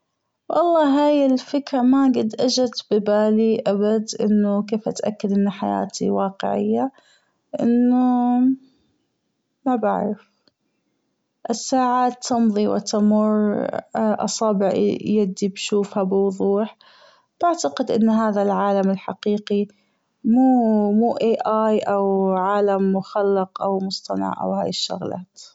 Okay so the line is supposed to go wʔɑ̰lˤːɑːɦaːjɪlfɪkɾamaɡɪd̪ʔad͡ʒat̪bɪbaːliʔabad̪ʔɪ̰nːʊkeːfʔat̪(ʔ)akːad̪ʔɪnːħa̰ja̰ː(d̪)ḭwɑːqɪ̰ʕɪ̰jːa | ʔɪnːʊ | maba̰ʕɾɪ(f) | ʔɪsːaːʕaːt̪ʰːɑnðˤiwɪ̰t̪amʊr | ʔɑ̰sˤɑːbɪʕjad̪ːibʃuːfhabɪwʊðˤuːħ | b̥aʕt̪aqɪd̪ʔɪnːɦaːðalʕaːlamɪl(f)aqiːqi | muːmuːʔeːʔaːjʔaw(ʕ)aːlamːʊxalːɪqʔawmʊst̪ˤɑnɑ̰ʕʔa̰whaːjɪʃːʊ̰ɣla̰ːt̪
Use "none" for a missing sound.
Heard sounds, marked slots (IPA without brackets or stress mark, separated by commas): ʔ, t̪, f, ħ, ʕ